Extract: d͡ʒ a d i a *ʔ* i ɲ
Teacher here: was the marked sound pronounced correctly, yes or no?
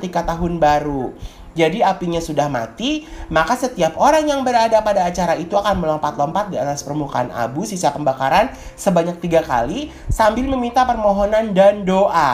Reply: no